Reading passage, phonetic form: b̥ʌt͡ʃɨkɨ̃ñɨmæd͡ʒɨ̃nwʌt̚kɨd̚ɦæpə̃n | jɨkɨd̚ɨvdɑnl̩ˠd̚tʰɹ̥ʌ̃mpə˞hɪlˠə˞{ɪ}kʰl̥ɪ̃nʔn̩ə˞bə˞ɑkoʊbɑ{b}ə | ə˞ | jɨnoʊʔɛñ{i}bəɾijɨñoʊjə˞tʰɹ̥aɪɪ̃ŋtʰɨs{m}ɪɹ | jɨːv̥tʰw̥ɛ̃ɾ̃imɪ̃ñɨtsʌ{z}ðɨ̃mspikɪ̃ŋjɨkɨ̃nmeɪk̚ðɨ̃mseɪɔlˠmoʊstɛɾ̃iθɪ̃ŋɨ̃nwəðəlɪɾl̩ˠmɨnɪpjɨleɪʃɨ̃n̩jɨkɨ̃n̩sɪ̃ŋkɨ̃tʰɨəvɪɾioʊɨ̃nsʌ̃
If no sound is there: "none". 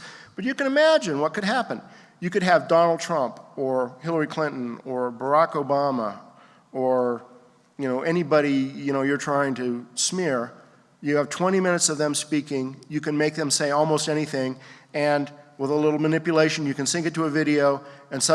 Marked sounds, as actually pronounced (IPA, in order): i, m, i, m, v

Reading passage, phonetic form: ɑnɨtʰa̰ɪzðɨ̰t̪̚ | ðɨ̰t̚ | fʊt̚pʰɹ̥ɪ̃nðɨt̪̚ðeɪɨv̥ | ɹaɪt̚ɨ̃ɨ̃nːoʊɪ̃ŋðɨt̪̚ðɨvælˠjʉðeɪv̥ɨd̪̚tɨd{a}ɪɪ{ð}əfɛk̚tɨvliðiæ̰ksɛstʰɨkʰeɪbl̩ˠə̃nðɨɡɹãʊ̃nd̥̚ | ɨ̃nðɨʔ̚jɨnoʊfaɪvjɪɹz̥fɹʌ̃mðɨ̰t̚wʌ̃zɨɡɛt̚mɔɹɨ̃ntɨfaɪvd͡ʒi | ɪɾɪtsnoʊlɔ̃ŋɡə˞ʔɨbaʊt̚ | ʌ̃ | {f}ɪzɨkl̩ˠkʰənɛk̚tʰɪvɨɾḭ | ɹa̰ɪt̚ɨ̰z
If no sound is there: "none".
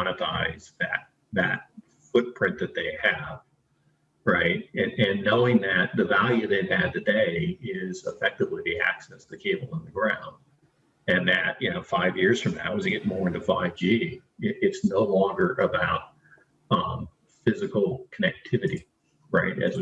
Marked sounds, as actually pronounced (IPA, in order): e, z, f

